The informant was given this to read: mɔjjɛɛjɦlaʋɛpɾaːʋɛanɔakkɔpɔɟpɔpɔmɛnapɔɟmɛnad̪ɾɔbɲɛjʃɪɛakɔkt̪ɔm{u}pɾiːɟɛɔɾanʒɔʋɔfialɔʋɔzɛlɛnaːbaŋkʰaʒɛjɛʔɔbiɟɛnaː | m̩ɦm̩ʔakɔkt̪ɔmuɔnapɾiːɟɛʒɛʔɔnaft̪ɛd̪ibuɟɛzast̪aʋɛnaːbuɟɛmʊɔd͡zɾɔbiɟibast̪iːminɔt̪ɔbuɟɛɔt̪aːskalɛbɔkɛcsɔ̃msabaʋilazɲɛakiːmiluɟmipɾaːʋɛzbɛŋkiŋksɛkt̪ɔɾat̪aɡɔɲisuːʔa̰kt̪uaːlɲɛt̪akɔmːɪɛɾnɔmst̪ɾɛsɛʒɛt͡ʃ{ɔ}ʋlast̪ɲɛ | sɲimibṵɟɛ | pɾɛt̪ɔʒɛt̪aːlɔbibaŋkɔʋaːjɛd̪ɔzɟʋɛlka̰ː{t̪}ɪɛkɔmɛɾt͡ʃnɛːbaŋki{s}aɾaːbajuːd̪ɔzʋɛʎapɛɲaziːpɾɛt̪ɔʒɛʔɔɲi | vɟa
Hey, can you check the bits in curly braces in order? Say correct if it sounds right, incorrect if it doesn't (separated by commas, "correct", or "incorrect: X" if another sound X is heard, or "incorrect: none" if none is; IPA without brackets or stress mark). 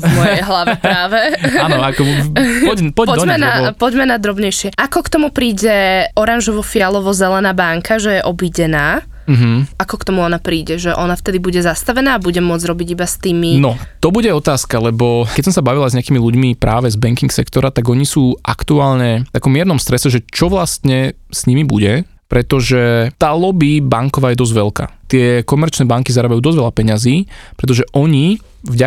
correct, correct, correct, incorrect: z